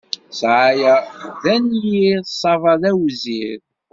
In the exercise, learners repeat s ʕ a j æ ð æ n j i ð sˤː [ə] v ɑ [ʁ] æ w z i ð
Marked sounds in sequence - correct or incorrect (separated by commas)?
incorrect, incorrect